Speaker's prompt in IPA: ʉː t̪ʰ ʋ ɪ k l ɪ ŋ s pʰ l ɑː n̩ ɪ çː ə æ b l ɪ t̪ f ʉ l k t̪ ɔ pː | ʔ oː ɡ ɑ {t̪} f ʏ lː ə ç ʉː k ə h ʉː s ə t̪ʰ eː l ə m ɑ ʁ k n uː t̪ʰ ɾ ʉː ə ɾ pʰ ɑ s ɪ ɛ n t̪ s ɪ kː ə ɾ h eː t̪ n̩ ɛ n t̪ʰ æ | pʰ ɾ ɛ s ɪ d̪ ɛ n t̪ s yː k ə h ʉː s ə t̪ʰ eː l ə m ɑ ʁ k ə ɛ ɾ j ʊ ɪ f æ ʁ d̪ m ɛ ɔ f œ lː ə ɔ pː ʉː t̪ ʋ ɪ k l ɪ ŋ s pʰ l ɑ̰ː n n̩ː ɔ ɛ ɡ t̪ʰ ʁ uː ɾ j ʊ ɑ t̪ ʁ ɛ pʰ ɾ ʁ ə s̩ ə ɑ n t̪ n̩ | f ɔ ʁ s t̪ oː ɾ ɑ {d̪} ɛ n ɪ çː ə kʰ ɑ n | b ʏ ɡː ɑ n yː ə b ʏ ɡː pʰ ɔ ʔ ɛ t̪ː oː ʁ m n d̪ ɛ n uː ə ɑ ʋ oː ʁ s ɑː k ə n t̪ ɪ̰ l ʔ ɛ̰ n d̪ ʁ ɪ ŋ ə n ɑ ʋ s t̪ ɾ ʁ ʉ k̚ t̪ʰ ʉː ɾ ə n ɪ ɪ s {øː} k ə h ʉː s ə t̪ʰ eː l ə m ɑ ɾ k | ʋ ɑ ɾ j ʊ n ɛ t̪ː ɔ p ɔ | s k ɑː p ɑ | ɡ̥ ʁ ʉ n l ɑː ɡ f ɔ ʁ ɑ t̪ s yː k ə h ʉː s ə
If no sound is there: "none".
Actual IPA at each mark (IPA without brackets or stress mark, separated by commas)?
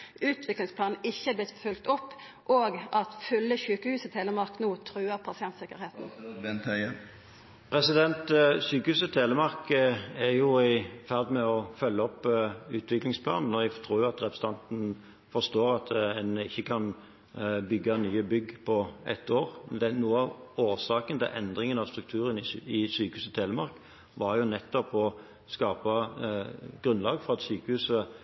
t̪, t̪, yː